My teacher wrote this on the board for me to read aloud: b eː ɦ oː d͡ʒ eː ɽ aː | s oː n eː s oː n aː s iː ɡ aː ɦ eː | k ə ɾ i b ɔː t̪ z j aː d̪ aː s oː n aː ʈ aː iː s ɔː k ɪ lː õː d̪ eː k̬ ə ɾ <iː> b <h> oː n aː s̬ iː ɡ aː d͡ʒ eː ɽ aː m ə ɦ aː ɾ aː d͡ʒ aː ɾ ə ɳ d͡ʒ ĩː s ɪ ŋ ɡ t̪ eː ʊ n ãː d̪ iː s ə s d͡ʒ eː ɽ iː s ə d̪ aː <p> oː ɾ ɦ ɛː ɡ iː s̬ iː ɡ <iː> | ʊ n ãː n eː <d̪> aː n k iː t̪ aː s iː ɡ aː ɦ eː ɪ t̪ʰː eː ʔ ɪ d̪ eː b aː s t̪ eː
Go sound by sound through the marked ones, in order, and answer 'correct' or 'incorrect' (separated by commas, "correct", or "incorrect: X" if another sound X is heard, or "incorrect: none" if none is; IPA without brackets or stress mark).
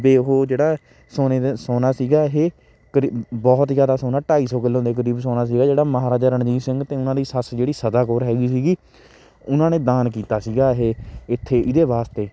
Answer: correct, incorrect: s, incorrect: k, correct, correct